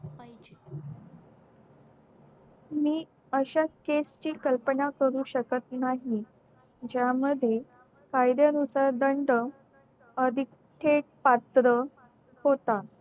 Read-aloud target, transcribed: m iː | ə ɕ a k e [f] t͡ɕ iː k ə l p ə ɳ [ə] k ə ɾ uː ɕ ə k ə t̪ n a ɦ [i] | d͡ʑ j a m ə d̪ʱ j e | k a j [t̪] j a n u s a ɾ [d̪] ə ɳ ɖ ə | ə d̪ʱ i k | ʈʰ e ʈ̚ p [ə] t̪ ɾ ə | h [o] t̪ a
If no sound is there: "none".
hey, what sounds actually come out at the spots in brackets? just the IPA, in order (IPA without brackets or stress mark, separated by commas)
s, a, i, d̪, d̪, a, o